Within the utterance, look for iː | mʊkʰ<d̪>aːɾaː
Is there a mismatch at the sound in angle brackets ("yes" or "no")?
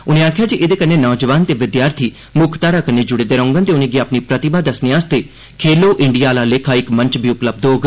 yes